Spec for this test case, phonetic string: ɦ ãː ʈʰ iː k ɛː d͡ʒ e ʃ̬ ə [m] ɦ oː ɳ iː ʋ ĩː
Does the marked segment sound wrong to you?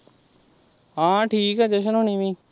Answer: yes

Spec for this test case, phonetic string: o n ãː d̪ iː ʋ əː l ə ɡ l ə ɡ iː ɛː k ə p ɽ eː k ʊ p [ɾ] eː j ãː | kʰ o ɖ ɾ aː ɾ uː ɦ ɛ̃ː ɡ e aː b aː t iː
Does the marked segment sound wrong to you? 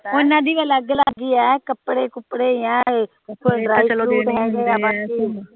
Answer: yes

